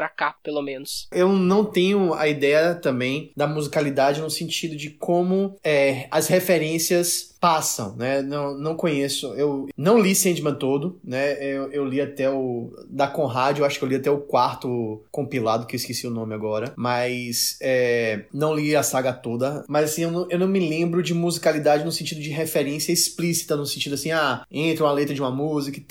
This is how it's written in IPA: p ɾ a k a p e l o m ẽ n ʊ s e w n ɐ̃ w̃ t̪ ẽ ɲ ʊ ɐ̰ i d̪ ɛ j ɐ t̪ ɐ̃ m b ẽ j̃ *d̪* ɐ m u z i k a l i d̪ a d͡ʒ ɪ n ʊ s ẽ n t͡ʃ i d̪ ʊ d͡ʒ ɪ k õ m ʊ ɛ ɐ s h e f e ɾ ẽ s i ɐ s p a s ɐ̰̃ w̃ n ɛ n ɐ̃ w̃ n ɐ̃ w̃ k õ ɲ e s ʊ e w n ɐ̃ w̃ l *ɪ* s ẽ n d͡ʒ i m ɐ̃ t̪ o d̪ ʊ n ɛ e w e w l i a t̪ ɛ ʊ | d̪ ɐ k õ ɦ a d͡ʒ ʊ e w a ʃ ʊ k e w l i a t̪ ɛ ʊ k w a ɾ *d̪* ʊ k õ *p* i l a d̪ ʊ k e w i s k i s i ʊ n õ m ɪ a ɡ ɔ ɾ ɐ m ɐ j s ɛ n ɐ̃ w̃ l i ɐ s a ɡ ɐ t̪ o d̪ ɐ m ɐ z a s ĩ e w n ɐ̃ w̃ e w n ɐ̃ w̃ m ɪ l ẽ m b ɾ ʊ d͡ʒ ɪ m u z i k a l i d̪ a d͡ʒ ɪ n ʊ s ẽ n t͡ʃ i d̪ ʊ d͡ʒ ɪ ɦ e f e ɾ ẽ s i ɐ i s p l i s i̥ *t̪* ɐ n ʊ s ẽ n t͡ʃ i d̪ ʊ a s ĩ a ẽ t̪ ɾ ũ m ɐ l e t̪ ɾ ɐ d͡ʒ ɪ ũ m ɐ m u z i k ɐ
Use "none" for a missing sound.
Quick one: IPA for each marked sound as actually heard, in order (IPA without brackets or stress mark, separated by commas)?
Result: d̪, i, t̪, p, t̪